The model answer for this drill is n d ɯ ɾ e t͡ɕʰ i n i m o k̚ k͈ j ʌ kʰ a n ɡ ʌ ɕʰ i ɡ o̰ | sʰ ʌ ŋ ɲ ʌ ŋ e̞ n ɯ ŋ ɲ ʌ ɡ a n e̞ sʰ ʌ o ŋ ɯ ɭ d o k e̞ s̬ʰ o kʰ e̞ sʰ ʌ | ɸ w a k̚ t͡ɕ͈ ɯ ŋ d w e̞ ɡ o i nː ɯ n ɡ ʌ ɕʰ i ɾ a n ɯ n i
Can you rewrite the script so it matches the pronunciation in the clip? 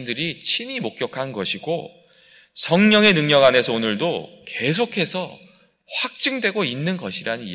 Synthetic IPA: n d ɯ ɾ i t͡ɕʰ i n i m o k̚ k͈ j ʌ kʰ a n ɡ ʌ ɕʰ i ɡ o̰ | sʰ ʌ ŋ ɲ ʌ ŋ e̞ n ɯ ŋ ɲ ʌ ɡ a n e̞ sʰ ʌ o n ɯ ɭ d o k e̞ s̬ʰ o kʰ e̞ sʰ ʌ | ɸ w a k̚ t͡ɕ͈ ɯ ŋ d w e̞ ɡ o i nː ɯ n ɡ ʌ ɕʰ i ɾ a n ɯ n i